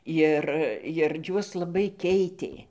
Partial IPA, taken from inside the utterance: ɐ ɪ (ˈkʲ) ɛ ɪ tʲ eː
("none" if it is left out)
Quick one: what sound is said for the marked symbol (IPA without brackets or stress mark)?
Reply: kʲ